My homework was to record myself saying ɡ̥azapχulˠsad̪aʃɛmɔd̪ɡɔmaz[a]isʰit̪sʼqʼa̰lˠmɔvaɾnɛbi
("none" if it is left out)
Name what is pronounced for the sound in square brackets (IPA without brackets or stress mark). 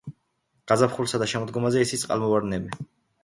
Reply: ɛ